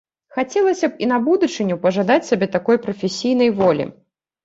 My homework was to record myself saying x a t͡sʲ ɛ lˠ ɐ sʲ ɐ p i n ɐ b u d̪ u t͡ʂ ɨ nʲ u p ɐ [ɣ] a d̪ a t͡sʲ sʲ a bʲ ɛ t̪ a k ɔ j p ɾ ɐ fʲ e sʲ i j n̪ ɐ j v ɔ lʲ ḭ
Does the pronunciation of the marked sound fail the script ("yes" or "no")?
yes